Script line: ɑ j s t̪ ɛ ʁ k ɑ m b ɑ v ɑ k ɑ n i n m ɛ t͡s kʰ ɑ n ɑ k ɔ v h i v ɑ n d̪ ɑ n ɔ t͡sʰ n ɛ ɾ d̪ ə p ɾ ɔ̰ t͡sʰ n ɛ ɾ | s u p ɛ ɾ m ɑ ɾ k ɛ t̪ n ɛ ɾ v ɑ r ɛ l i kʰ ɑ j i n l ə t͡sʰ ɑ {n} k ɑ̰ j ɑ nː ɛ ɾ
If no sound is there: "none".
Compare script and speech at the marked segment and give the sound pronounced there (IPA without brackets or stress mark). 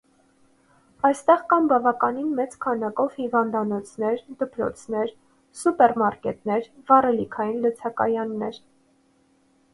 none